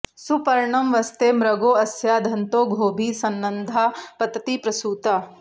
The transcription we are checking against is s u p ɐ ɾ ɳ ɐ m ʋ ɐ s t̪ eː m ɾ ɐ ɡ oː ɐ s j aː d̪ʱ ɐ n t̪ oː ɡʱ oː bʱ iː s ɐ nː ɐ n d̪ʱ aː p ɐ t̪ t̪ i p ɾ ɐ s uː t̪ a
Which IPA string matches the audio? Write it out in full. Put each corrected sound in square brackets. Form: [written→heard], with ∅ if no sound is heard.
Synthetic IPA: s u p ɐ ɾ ɳ ɐ m ʋ ɐ s t̪ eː m ɾ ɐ ɡ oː ɐ s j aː d̪ʱ ɐ n t̪ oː ɡʱ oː bʱ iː s ɐ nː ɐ n d̪ʱ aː p ɐ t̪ t̪ i p ɾ ɐ s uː t̪ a